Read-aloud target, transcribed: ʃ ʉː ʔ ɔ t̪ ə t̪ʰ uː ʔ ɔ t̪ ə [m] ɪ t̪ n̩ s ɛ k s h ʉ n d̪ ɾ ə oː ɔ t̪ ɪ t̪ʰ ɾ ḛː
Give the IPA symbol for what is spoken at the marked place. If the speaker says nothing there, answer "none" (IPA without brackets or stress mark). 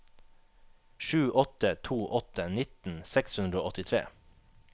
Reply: n